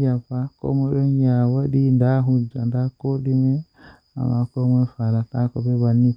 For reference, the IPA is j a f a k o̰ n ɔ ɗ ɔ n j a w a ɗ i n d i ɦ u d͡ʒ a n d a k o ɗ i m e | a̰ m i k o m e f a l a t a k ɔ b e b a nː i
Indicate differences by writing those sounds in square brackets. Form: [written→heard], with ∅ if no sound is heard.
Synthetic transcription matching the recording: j a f a k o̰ [n→m] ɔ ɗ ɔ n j a w a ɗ i n d [i→a] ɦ u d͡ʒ a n d a k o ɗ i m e | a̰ m [i→a] k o m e f a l a t a k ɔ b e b a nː i